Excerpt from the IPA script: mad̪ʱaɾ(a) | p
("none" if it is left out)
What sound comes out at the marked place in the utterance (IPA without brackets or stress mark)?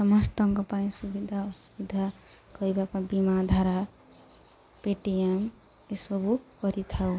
a